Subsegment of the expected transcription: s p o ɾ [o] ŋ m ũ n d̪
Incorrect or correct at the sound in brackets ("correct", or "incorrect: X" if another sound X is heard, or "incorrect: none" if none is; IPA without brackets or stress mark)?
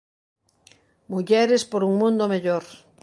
incorrect: u